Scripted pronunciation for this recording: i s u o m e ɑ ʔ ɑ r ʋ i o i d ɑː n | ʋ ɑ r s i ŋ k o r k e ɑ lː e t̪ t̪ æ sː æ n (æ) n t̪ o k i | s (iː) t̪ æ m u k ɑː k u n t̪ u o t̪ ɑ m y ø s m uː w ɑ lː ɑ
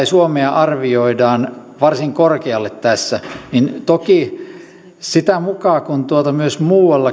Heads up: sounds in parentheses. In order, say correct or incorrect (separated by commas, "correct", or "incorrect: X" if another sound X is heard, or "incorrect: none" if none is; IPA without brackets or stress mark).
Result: incorrect: i, incorrect: i